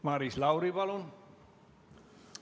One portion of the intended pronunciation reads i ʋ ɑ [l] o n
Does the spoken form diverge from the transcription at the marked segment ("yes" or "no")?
no